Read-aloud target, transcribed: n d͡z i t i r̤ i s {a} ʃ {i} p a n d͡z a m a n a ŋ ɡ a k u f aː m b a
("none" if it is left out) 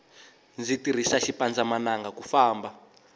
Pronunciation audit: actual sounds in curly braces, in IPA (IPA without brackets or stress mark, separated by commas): a, i